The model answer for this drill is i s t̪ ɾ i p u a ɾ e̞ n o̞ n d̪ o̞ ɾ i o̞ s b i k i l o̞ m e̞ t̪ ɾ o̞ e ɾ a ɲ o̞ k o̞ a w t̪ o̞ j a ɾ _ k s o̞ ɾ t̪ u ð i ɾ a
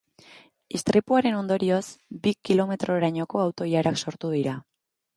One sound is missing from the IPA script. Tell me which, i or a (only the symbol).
a